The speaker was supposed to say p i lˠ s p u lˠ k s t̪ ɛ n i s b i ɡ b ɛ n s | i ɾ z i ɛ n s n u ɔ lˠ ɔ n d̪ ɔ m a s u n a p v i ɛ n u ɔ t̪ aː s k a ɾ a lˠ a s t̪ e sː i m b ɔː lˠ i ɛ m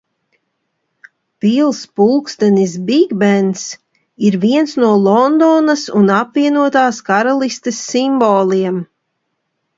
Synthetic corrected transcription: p i lˠ s p u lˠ k s t̪ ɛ n i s b i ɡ b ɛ n s | i ɾ v i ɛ n s n u ɔ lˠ ɔ n d̪ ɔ n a s u n a p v i ɛ n u ɔ t̪ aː s k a ɾ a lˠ i s t̪ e sː i m b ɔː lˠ i ɛ m